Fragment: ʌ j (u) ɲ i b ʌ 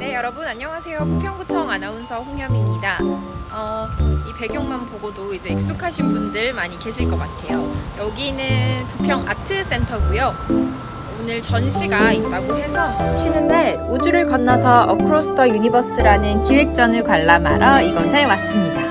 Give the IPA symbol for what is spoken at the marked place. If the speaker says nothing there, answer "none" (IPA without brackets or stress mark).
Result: u